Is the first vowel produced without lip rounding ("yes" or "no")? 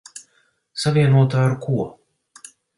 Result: yes